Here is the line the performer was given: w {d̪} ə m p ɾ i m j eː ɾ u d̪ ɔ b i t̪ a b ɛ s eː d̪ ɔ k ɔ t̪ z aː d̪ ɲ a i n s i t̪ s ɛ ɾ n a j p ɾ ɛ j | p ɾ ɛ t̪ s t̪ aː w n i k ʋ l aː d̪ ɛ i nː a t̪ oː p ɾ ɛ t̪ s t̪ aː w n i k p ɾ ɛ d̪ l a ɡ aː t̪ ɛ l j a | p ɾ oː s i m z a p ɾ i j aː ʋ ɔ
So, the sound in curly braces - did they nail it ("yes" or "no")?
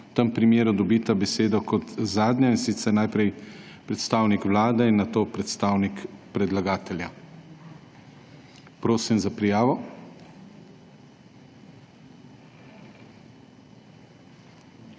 no